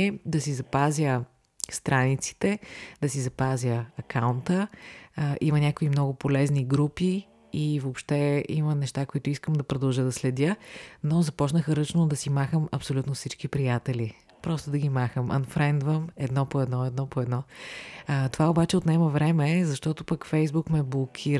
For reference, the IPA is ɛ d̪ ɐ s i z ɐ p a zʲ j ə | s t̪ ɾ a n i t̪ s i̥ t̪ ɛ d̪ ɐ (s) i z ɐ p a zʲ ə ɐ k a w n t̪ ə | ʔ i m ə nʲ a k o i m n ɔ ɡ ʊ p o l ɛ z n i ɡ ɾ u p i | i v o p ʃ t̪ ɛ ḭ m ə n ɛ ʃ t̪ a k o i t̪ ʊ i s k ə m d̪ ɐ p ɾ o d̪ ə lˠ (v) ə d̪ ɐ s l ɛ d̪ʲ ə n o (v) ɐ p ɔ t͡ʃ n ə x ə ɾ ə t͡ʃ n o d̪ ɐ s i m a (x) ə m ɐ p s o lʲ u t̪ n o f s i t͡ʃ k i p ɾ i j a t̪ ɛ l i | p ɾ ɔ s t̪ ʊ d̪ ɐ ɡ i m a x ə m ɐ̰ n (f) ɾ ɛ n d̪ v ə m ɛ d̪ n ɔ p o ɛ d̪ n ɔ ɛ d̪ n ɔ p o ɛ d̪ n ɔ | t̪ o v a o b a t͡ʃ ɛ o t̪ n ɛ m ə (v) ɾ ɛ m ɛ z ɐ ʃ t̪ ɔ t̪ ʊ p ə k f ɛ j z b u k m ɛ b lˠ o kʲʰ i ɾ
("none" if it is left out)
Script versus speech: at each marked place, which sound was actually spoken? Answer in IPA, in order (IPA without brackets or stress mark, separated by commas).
s, ʒ, z, x, f, v